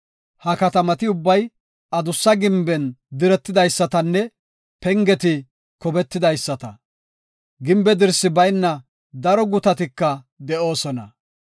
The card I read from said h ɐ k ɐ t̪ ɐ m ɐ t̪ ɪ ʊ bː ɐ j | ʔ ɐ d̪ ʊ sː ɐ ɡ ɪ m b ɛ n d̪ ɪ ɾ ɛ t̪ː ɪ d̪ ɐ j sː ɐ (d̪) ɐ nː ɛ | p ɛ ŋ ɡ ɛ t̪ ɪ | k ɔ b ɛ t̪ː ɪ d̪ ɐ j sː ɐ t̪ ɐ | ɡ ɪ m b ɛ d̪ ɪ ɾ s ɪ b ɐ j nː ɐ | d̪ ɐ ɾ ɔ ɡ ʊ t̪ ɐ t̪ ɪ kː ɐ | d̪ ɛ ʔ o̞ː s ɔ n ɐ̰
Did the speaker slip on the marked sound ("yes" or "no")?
yes